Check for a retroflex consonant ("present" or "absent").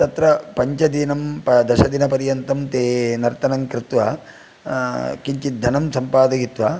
absent